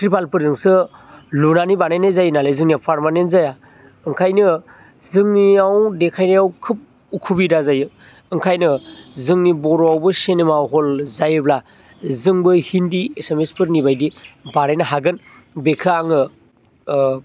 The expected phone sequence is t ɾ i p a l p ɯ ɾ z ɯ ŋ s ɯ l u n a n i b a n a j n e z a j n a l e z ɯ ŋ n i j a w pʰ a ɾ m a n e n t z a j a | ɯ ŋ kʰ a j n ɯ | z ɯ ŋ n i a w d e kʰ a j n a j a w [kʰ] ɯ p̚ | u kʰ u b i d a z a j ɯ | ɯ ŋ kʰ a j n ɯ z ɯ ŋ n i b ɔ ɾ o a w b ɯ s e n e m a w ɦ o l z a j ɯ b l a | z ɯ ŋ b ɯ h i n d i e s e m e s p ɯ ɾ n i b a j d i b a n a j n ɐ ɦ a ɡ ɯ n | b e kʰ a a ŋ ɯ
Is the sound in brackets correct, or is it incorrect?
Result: correct